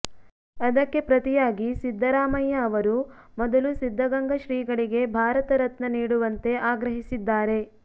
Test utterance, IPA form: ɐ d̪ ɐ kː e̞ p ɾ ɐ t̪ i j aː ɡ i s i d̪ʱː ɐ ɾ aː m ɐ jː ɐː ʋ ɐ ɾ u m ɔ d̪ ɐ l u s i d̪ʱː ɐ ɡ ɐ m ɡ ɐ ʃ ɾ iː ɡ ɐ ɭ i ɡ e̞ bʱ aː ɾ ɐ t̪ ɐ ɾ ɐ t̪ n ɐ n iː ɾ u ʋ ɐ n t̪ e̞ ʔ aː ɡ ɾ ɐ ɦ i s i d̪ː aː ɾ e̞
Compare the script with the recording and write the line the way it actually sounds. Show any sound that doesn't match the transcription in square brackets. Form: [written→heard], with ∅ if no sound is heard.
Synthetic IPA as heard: ɐ d̪ ɐ kː e̞ p ɾ ɐ t̪ i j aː ɡ i s i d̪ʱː ɐ ɾ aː m ɐ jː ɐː ʋ ɐ ɾ u m ɔ d̪ ɐ l u s i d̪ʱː ɐ ɡ ɐ [m→ŋ] ɡ ɐ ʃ ɾ iː ɡ ɐ ɭ i ɡ e̞ bʱ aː ɾ ɐ t̪ ɐ ɾ ɐ t̪ n ɐ n iː [ɾ→ɽ] u ʋ ɐ n t̪ e̞ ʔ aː ɡ ɾ ɐ ɦ i s i d̪ː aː ɾ e̞